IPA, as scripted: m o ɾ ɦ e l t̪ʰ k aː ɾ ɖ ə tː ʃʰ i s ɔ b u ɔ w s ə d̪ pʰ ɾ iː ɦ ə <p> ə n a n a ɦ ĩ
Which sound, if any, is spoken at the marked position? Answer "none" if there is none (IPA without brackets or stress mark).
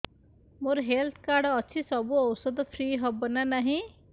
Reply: b